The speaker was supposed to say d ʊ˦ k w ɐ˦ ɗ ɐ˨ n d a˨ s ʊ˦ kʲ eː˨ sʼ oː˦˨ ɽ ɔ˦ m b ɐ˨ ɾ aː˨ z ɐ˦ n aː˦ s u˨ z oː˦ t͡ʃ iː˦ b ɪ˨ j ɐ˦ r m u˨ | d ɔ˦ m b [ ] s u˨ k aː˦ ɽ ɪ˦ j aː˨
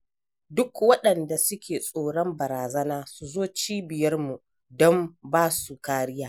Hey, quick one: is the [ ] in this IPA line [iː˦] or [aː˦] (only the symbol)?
aː˦